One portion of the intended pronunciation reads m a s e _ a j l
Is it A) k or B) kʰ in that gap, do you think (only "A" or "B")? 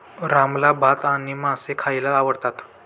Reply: B